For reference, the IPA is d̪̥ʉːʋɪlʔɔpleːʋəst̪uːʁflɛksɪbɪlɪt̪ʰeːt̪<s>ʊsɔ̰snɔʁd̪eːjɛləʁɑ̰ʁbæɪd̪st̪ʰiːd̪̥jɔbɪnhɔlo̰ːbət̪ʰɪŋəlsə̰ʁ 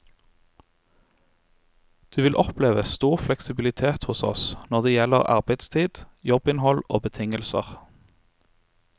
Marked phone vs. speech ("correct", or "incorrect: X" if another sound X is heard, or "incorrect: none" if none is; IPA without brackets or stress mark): incorrect: h